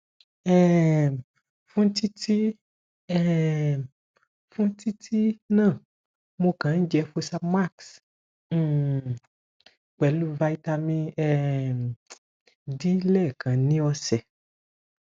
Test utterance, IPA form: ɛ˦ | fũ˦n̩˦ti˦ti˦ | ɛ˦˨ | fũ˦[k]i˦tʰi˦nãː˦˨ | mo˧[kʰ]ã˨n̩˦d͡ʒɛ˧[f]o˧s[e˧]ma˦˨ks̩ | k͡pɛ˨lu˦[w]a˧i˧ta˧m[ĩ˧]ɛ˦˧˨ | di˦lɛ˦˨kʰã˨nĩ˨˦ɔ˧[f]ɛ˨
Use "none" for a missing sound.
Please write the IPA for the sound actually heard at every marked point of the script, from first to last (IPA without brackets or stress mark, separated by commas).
t, k, f, a˧, v, ĩ˧, s